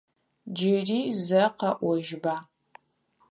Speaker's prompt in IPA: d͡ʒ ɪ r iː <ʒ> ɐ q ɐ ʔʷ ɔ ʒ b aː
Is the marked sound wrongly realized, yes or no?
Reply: yes